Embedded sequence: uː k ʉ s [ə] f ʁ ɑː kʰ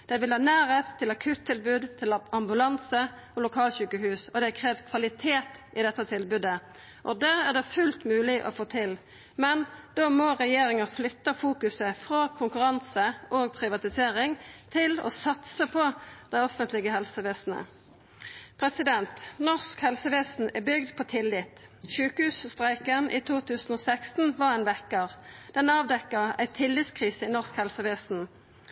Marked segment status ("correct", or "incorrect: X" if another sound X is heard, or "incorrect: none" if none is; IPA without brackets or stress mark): correct